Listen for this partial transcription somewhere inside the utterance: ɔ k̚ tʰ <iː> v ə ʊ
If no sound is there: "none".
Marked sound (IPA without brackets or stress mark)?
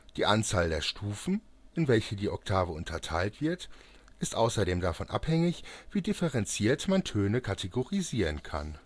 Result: aː